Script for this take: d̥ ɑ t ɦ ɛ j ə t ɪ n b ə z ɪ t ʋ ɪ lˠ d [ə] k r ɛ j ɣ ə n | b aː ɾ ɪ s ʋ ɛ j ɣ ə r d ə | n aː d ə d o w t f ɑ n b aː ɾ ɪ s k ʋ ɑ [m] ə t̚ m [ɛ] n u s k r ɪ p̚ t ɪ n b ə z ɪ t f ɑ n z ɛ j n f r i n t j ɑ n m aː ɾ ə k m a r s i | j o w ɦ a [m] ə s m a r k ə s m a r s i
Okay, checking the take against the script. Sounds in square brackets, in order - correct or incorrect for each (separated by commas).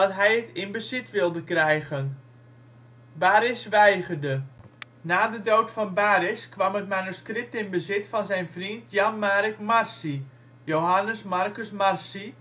correct, correct, incorrect, incorrect